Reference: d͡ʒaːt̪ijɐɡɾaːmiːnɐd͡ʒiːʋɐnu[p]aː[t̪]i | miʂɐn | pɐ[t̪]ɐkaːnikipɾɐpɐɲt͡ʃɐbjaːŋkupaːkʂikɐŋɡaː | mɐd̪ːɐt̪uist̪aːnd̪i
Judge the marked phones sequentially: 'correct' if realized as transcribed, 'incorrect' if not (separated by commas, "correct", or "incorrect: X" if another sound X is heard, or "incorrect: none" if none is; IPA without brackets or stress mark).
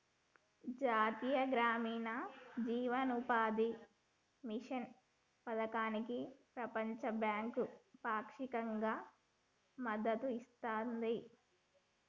correct, incorrect: d̪, incorrect: d̪